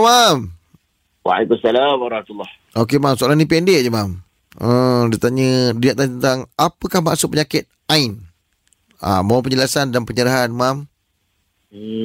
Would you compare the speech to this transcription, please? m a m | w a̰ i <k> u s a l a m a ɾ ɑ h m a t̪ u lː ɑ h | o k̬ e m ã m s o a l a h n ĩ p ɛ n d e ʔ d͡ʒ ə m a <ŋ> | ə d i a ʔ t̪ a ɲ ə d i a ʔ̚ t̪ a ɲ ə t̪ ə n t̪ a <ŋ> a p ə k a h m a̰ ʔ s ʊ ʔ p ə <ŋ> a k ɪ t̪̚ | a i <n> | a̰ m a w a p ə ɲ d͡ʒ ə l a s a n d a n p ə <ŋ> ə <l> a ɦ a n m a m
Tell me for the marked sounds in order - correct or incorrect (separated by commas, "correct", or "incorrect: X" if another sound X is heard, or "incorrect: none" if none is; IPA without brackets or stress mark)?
correct, incorrect: m, correct, incorrect: ɲ, correct, incorrect: ɲ, incorrect: ɾ